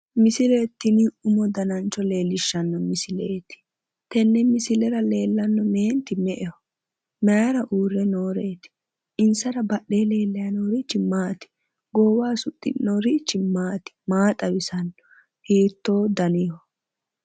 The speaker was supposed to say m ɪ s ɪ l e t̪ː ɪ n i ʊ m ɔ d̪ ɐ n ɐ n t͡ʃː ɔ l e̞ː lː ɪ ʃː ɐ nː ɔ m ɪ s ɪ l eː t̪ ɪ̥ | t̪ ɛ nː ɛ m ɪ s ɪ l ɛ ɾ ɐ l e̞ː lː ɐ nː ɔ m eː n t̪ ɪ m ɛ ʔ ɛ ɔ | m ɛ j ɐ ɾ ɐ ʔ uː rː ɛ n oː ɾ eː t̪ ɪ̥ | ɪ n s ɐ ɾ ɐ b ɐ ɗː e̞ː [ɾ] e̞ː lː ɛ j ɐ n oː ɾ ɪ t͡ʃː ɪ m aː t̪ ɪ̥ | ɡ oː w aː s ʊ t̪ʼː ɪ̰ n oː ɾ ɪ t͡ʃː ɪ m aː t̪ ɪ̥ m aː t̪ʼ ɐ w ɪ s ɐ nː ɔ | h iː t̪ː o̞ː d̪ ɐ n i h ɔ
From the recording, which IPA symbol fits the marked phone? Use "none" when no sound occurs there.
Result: l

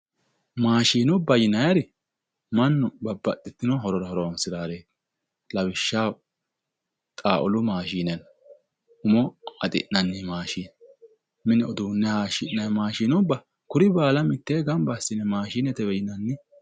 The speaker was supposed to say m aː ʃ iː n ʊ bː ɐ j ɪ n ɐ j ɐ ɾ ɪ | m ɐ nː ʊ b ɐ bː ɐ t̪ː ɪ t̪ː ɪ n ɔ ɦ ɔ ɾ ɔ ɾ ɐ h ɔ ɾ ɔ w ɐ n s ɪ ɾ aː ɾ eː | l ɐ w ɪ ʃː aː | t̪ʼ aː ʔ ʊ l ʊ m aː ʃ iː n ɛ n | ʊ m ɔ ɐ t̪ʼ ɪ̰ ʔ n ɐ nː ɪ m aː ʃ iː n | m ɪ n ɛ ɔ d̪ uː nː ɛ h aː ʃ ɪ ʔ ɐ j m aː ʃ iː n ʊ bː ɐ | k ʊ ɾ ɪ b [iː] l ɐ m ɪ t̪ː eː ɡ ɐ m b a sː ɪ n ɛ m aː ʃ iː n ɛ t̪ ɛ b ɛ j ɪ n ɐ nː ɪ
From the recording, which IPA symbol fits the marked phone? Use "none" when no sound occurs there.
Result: aː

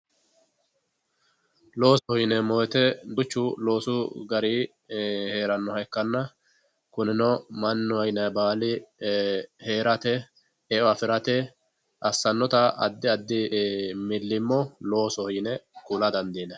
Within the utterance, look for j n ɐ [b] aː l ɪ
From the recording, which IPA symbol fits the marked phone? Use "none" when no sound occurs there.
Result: b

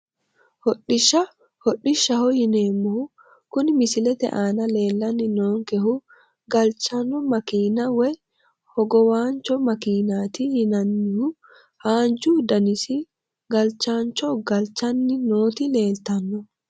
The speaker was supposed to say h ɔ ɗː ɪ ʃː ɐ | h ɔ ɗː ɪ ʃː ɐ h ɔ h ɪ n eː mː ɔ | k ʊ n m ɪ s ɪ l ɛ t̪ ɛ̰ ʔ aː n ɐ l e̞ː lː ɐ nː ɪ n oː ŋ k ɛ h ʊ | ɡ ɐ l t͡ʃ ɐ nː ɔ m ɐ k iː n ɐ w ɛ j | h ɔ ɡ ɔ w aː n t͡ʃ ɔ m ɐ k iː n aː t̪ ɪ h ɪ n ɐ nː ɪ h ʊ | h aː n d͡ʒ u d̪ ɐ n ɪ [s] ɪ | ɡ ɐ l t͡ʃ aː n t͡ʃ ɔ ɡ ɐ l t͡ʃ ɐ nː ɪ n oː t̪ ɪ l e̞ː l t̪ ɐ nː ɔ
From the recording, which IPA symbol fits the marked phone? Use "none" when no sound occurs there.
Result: s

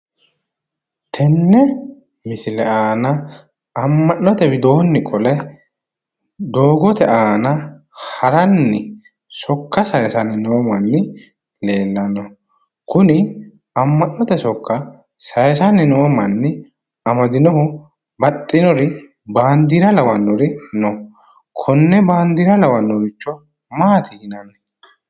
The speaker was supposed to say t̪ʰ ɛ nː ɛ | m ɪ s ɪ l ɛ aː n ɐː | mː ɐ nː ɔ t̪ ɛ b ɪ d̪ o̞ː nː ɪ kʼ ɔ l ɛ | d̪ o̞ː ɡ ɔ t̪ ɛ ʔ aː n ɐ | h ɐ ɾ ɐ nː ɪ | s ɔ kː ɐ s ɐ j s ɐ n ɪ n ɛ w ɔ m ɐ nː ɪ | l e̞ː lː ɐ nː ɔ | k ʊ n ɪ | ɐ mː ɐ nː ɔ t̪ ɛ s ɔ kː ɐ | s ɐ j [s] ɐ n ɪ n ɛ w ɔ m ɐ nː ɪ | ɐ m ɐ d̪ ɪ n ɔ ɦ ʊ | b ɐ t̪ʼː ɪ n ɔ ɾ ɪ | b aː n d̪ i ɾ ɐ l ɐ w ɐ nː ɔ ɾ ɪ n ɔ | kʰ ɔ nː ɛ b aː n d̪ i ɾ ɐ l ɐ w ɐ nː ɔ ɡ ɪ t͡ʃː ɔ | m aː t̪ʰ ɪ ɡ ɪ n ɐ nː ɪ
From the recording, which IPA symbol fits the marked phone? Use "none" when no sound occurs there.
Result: s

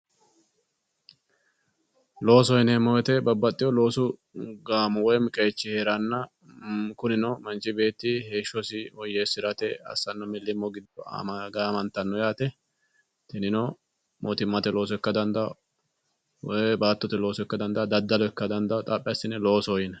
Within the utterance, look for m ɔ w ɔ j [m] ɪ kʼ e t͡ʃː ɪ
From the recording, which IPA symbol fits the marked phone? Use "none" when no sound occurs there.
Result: m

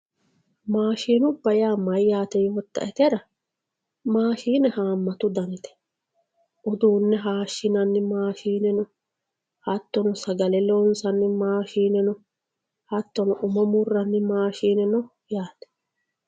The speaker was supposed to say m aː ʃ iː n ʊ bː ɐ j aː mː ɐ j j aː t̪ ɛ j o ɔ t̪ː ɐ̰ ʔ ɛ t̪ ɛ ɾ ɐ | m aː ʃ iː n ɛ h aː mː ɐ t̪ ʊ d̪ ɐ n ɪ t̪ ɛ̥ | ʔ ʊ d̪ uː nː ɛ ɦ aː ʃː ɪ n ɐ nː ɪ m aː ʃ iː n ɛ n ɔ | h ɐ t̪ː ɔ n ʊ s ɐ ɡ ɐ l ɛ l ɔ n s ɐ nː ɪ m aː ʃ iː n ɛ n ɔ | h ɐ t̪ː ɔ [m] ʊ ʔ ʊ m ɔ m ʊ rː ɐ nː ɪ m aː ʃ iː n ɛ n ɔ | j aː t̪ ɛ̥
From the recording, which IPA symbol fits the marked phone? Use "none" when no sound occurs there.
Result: n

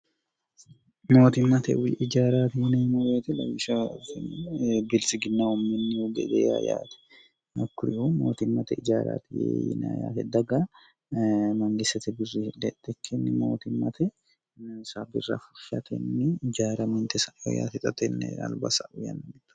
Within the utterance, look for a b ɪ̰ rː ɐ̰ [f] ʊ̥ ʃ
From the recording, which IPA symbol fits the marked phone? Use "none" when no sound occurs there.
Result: f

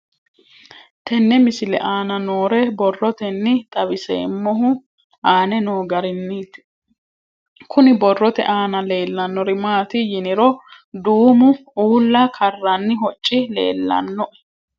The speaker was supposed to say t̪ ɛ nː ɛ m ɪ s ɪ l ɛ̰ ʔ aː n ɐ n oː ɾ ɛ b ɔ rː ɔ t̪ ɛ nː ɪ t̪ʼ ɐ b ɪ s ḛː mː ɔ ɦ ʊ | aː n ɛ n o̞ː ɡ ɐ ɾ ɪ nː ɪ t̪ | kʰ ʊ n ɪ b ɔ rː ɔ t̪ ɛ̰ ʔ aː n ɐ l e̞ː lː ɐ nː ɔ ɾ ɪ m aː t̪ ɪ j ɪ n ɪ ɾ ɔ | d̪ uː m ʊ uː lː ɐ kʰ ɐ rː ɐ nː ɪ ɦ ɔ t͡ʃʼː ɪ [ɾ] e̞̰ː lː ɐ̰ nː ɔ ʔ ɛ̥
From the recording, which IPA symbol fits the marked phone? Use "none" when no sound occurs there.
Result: l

